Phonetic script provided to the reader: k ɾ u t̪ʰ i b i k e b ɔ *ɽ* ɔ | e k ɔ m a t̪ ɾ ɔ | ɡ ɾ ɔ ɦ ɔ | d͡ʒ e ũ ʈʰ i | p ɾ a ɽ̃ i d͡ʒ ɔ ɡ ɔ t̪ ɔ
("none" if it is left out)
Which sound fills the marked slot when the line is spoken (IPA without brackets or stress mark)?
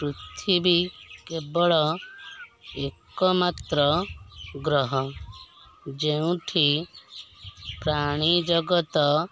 ɭ